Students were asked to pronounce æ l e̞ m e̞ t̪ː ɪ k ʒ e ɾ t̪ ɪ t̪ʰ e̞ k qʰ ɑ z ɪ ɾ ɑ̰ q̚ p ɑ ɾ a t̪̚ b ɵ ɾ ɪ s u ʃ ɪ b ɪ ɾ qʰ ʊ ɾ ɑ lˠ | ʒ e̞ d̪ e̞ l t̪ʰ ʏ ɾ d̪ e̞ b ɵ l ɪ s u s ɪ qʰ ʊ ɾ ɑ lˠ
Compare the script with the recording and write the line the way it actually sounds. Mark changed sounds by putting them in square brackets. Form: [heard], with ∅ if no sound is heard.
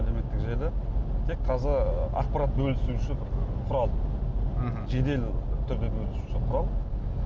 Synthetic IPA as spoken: æ l e̞ m e̞ t̪ː ɪ k ʒ e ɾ [d̪] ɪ t̪ʰ e̞ k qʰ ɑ z ɪ ɾ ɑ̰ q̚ p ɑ ɾ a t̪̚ b ɵ [l] ɪ s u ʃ ɪ b ɪ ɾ qʰ ʊ ɾ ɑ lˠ | ʒ e̞ d̪ e̞ l t̪ʰ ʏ ɾ d̪ e̞ b ɵ l ɪ s u [ʃ] ɪ qʰ ʊ ɾ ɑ lˠ

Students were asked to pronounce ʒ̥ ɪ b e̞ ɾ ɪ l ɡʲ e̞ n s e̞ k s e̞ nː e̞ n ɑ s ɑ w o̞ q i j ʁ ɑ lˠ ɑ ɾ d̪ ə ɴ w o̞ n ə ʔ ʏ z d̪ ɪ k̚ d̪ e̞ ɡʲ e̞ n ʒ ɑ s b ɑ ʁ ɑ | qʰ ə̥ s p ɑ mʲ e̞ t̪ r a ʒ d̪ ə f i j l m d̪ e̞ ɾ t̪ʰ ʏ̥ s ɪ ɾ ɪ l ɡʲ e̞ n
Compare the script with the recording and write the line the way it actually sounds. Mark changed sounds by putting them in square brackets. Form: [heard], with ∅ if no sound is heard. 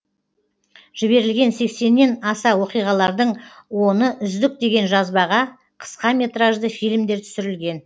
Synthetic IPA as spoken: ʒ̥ ɪ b e̞ ɾ ɪ l ɡʲ e̞ n s e̞ k s e̞ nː e̞ n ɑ s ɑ w o̞ q i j ʁ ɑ lˠ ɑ ɾ d̪ ə ɴ w o̞ n ə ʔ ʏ z d̪ ɪ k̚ d̪ e̞ ɡʲ e̞ n ʒ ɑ [z] b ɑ ʁ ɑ | qʰ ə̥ s [q] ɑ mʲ e̞ t̪ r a ʒ d̪ ə f i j l m d̪ e̞ ɾ t̪ʰ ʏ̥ s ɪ ɾ ɪ l ɡʲ e̞ n

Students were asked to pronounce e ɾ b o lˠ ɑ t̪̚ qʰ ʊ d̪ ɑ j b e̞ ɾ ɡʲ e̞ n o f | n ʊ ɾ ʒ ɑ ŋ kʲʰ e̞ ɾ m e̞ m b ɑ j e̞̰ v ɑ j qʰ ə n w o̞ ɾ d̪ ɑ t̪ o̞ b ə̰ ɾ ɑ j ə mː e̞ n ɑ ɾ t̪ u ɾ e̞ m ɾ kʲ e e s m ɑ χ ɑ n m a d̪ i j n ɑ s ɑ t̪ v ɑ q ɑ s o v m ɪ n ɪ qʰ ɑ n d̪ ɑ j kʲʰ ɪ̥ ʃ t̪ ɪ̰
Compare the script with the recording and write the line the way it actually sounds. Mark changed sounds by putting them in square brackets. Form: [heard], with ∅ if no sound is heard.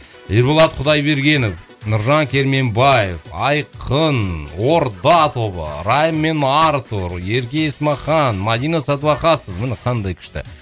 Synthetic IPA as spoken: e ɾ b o lˠ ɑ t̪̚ qʰ ʊ d̪ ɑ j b e̞ ɾ ɡʲ e̞ n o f | n ʊ ɾ ʒ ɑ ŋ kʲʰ e̞ ɾ m e̞ m b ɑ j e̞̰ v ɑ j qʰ ə n w o̞ ɾ d̪ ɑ t̪ o̞ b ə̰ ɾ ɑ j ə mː e̞ n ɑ ɾ t̪ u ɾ e̞ [∅] ɾ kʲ e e s m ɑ χ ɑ n m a d̪ i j n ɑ s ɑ t̪ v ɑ q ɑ s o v m ɪ n ɪ qʰ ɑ n d̪ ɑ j kʲʰ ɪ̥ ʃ t̪ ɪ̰

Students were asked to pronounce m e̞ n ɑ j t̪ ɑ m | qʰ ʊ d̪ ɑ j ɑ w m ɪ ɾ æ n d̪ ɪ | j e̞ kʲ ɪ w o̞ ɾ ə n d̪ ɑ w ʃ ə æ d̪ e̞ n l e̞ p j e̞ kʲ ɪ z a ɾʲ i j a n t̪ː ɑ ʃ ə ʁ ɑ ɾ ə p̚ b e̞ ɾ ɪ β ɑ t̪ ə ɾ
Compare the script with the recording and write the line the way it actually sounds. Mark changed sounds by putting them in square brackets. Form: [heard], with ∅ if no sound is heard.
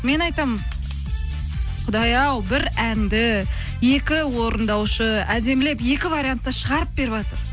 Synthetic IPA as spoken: m e̞ n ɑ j t̪ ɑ m | qʰ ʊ d̪ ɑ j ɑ w [b] ɪ ɾ æ n d̪ ɪ | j e̞ kʲ ɪ w o̞ ɾ ə n d̪ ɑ w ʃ ə æ d̪ e̞ [m] l e̞ p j e̞ kʲ ɪ [v] a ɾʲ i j a n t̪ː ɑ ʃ ə ʁ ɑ ɾ ə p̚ b e̞ ɾ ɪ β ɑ t̪ ə ɾ

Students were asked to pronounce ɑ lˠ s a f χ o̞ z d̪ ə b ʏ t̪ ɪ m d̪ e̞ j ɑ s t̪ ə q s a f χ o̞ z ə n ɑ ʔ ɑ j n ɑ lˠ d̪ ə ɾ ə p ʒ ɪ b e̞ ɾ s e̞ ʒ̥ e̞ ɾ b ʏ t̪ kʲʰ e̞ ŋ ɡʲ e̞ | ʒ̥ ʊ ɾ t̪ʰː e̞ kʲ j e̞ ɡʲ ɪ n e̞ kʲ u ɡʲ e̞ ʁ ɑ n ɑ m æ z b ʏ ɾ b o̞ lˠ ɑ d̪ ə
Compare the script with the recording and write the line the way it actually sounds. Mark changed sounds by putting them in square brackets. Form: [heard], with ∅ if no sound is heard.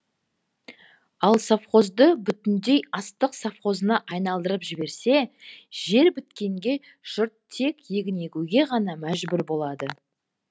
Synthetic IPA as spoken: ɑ lˠ s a f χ o̞ z d̪ ə b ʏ t̪ ɪ [n] d̪ e̞ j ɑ s t̪ ə q s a f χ o̞ z ə n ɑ ʔ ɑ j n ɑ lˠ d̪ ə ɾ ə p ʒ ɪ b e̞ ɾ s e̞ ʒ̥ e̞ ɾ b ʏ t̪ [kʲ] e̞ ŋ ɡʲ e̞ | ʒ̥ ʊ ɾ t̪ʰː e̞ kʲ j e̞ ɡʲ ɪ n e̞ kʲ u ɡʲ e̞ ʁ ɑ n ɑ m æ [ʒ] b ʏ ɾ b o̞ lˠ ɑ d̪ ə

